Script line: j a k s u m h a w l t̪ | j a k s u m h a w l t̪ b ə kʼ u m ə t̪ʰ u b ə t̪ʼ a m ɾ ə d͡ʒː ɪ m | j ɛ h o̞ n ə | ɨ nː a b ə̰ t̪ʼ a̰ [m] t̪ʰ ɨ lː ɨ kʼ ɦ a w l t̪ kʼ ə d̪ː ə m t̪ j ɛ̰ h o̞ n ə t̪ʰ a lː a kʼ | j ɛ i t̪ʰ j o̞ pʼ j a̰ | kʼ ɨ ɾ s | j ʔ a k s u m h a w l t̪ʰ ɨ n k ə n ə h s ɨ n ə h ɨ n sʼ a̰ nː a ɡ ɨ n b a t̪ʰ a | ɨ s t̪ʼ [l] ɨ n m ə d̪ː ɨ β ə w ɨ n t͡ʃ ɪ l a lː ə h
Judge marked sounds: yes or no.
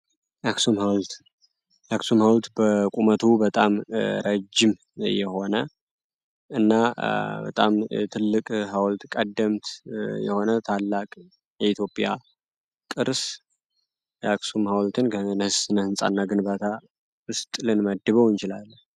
yes, yes

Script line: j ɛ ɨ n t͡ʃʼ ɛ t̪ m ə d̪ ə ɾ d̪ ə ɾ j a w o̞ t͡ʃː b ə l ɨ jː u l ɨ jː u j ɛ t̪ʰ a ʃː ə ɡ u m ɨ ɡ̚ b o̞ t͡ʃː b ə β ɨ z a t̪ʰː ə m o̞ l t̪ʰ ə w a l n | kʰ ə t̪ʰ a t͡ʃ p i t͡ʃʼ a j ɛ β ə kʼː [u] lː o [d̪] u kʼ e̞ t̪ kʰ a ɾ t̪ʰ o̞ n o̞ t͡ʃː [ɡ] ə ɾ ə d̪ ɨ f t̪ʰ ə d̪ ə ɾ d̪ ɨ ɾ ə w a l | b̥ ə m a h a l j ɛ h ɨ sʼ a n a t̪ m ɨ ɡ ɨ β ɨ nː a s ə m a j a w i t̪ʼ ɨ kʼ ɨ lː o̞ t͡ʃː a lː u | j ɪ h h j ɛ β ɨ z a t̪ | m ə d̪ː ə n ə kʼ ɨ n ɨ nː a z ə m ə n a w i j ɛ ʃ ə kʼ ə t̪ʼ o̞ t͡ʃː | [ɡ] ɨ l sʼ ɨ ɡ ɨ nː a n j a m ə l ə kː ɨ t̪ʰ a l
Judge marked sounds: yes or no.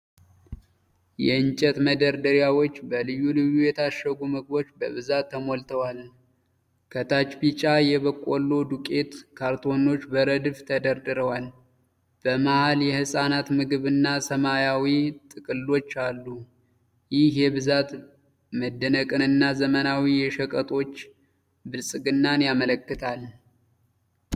no, yes, no, no

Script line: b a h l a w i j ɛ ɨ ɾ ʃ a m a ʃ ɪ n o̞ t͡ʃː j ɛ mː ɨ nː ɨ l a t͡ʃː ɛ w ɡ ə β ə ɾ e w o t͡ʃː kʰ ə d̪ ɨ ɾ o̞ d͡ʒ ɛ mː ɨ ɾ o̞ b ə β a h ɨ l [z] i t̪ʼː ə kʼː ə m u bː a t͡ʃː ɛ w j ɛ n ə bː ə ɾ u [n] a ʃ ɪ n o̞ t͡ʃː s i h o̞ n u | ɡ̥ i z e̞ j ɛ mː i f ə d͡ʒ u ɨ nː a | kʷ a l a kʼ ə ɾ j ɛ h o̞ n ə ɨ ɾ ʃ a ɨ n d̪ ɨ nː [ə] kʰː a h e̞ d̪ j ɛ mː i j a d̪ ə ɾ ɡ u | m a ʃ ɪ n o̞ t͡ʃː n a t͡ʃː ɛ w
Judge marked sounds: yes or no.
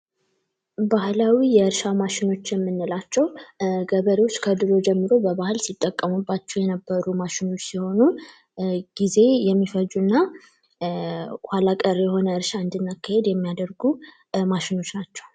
no, no, no

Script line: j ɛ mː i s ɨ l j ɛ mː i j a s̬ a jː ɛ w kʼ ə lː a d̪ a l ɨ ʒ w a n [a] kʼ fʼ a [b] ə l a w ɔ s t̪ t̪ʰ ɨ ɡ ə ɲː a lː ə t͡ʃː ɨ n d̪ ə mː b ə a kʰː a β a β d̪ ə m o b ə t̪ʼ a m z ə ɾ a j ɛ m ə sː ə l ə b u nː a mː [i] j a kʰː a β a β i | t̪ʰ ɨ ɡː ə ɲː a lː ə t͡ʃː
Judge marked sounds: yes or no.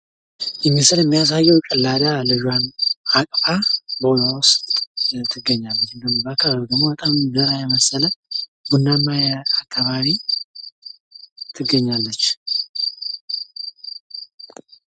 yes, yes, no

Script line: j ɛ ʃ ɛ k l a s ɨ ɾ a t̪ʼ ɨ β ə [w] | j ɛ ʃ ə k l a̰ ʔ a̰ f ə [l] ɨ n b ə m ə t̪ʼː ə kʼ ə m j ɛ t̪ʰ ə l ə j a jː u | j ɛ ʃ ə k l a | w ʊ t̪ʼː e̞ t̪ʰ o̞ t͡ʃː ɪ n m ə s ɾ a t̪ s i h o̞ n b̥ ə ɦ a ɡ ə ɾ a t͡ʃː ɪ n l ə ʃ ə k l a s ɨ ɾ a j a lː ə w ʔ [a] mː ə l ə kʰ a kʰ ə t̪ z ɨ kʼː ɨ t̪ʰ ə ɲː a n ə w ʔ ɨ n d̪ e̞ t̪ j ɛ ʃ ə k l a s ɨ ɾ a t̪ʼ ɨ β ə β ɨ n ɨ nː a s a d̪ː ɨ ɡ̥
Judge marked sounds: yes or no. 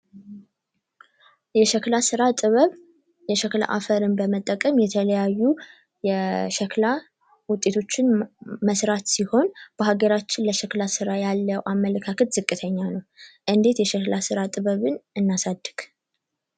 no, no, yes

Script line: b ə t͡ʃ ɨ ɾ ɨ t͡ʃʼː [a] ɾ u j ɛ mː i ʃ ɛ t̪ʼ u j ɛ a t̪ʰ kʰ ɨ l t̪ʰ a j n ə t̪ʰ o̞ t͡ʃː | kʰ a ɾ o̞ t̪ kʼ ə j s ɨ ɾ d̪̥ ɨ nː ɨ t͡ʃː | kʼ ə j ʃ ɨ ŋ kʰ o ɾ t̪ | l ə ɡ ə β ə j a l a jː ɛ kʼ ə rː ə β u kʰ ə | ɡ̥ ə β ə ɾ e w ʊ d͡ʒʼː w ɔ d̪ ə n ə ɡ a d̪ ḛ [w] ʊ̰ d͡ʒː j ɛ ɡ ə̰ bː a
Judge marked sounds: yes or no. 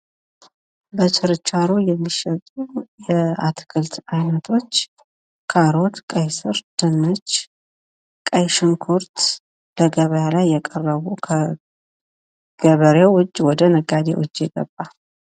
yes, yes

